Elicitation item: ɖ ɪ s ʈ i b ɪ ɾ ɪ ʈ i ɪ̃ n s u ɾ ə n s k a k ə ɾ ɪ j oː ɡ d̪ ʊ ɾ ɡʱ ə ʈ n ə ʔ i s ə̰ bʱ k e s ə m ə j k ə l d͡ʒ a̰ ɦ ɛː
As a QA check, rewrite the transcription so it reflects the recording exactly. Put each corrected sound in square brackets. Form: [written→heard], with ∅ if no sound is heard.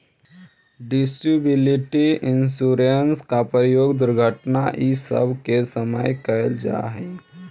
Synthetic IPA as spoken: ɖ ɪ s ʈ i b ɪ [ɾ→l] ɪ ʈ i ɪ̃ n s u ɾ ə n s k a [k→p] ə ɾ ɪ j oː ɡ d̪ ʊ ɾ ɡʱ ə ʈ n [ə→a] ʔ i s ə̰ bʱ k e s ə m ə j k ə l d͡ʒ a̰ ɦ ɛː